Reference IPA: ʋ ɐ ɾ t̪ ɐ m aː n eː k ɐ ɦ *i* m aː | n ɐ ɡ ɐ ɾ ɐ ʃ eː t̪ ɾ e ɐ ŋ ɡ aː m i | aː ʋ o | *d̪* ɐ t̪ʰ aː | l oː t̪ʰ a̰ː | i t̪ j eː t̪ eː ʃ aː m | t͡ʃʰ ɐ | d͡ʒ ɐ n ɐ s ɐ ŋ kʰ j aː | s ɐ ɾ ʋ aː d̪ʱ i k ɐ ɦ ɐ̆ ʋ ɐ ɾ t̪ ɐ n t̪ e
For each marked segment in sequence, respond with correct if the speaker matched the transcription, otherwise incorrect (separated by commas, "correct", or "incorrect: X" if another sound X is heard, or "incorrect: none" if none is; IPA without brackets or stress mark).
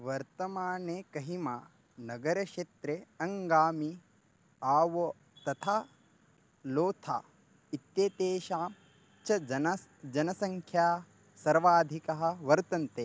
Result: correct, incorrect: t̪